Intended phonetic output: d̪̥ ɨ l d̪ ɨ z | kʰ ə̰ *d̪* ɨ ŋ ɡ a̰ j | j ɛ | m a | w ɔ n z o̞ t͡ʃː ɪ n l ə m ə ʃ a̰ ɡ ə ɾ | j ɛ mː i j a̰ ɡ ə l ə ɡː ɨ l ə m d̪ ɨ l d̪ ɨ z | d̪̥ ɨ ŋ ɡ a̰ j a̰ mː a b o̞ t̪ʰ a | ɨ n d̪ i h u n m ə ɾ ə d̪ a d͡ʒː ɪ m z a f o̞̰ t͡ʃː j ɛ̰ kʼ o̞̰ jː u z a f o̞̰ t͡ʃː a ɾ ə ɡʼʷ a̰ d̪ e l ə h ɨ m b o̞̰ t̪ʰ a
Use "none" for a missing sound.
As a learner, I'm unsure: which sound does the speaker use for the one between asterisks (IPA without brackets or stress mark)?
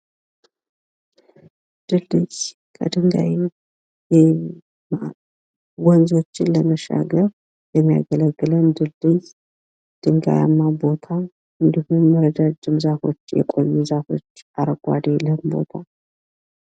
d̪